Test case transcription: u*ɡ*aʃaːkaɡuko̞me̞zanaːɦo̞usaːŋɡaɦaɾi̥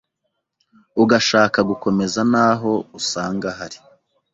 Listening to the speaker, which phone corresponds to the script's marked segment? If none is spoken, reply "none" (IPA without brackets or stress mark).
ɡ